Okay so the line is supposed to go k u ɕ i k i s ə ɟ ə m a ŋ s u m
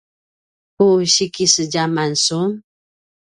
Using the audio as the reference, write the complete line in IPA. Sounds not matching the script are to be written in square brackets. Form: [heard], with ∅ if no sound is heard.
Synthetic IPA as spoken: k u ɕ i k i s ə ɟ [a] m a [n] s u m